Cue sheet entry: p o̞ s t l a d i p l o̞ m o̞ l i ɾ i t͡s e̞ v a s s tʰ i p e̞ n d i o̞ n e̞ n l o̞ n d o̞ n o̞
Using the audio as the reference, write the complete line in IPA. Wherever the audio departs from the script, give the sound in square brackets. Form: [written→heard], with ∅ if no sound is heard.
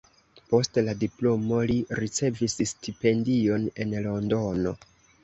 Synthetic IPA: p o̞ s t l a d i p l o̞ m o̞ l i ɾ i t͡s e̞ v [a→i] s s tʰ i p e̞ n d i o̞ n e̞ n l o̞ n d o̞ n o̞